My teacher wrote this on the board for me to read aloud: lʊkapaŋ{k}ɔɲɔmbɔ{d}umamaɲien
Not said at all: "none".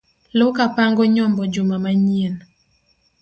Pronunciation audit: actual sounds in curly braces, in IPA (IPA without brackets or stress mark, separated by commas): ɡ, d͡ʒ